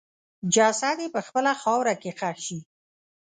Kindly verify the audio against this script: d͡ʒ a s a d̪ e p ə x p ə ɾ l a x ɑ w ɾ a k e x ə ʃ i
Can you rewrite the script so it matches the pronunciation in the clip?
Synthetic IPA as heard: d͡ʒ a s a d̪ e p ə x p ə l a x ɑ w ɾ a k e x a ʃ i

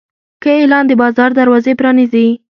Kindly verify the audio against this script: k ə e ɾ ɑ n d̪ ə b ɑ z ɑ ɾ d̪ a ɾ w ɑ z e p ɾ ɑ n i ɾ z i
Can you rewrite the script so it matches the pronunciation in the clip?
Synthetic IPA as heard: k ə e l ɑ n d̪ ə b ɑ z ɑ ɾ d̪ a ɾ w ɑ z e p ɾ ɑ n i z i

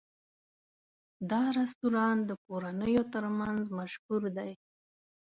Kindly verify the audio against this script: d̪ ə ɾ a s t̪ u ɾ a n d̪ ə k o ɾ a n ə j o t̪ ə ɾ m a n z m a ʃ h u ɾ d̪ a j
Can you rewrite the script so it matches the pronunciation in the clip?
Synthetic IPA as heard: d̪ ɑ ɾ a s t̪ u ɾ ɑ n d̪ ə k o ɾ a n ə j o t̪ ə ɾ m a n z m a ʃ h u ɾ d̪ a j

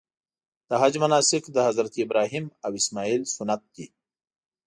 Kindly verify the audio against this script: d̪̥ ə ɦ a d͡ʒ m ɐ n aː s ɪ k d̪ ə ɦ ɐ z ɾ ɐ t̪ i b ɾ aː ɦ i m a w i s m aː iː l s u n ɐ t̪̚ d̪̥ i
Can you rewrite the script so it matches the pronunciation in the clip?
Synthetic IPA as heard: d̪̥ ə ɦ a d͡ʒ m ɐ n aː s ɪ k d̪ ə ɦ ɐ z ɾ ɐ t̪ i b ɾ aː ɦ i m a w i s m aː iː l s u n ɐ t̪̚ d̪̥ i

